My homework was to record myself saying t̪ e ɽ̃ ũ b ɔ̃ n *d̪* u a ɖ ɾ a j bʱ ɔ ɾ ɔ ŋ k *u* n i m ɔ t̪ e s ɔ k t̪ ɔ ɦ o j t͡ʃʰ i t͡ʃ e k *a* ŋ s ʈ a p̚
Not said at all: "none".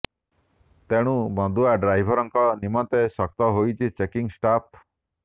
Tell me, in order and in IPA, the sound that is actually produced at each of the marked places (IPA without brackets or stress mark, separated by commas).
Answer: d̪, ɔ, i